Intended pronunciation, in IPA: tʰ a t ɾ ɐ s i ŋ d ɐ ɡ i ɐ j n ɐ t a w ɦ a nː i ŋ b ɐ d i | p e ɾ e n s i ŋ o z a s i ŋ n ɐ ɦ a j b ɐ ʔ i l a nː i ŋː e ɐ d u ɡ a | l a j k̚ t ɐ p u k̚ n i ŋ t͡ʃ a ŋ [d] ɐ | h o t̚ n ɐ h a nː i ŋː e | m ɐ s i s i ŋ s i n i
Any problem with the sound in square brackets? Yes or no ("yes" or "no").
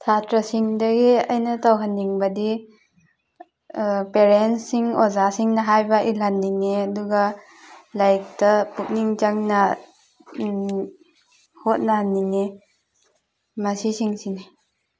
yes